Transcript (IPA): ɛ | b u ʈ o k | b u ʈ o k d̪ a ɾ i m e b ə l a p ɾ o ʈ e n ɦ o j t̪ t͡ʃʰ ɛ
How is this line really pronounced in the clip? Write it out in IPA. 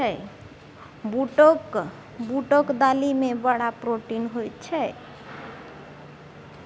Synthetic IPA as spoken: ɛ | b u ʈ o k | b u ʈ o k d̪ a l i m e b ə ɽ a p ɾ o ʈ i n ɦ o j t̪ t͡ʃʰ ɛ